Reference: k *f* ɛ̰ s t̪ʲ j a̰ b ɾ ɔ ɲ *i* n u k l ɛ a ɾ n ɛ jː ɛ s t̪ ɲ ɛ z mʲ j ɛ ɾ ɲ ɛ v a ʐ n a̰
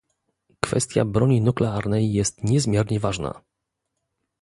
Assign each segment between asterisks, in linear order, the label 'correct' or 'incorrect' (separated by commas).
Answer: correct, correct